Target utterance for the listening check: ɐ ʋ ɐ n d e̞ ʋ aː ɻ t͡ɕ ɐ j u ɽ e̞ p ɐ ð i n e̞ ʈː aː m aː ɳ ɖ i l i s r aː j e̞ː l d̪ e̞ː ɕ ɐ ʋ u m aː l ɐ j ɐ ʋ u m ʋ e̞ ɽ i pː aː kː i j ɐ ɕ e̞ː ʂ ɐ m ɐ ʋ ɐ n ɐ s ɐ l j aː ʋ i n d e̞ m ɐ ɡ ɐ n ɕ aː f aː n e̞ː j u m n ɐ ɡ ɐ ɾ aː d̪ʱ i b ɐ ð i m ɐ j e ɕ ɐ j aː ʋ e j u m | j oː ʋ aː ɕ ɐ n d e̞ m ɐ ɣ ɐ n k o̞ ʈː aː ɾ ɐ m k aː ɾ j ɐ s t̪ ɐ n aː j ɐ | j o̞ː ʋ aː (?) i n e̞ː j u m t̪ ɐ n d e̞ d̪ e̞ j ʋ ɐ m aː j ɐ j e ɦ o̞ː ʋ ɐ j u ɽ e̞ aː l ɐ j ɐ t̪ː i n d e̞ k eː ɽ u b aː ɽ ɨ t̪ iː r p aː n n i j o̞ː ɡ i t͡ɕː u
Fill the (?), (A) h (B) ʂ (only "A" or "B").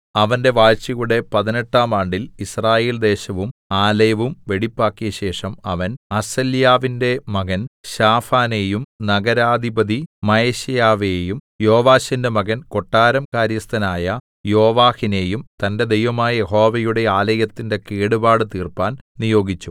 A